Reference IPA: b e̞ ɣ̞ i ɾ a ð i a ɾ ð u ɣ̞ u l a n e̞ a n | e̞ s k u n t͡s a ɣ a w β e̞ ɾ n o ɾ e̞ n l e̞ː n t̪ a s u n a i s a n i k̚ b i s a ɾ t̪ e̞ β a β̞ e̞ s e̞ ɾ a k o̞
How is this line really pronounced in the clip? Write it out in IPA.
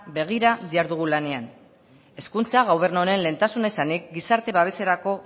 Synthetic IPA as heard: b e̞ ɣ̞ i ɾ a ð i a ɾ ð u ɣ̞ u l a n e̞ a n | e̞ s k u n t͡s a ɣ a w β e̞ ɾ n o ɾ e̞ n l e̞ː n t̪ a s u n a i s a n i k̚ ɡ i s a ɾ t̪ e̞ β a β̞ e̞ s e̞ ɾ a k o̞